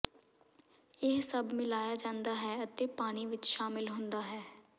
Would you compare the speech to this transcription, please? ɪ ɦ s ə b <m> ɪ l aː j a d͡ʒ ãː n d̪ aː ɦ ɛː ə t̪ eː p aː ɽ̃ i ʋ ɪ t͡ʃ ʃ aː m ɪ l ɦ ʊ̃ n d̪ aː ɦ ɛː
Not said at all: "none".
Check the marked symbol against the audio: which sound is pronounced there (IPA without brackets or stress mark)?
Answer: m